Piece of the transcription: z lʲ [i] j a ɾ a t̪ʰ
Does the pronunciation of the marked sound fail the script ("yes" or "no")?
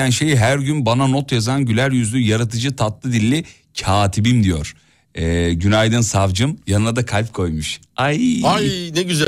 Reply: yes